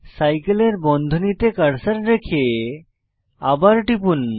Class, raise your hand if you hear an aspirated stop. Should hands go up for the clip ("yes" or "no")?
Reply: yes